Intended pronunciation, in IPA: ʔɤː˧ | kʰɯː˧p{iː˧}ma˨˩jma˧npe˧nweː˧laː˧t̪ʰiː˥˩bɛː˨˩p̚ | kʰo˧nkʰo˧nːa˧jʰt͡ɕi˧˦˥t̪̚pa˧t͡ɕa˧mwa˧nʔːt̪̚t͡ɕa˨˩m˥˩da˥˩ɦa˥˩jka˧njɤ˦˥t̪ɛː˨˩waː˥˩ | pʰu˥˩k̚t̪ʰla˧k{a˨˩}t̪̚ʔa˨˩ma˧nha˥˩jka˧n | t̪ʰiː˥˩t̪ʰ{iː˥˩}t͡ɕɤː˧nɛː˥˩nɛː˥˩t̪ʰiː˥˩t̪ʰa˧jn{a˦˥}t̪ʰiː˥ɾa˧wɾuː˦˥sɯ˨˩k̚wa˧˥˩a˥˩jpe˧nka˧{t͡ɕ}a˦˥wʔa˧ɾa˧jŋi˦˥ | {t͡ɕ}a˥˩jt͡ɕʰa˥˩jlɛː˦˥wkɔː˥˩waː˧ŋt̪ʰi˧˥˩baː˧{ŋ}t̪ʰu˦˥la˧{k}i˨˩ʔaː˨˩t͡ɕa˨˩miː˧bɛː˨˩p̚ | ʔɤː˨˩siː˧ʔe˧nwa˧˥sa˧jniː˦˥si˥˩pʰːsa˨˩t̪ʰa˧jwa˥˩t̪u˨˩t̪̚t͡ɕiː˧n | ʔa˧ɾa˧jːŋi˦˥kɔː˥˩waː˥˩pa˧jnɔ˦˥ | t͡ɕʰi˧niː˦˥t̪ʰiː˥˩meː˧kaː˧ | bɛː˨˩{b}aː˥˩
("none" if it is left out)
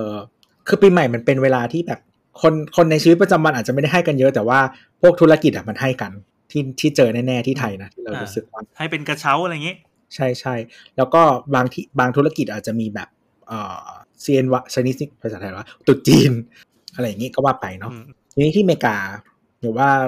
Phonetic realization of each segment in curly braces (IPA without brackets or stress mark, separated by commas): iː˧, i˨˩, iː˥˩, a˦˥, t͡ɕʰ, t͡ɕʰ, ŋ, k, w